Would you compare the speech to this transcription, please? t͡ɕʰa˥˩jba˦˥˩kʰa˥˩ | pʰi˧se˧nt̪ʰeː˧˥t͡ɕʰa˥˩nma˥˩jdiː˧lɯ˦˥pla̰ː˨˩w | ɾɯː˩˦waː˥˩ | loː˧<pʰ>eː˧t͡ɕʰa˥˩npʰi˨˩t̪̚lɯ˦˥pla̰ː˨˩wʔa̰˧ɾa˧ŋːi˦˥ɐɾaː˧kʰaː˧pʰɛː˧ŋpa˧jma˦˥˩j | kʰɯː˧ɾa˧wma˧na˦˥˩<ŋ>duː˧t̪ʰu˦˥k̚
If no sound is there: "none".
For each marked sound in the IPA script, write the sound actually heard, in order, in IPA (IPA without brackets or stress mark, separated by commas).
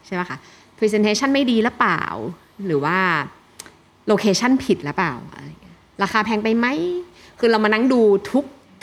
kʰ, ŋ